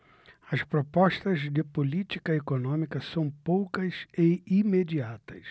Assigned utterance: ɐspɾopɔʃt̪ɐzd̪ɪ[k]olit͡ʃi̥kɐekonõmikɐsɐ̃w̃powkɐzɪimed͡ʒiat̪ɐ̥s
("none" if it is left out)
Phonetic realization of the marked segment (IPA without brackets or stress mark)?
p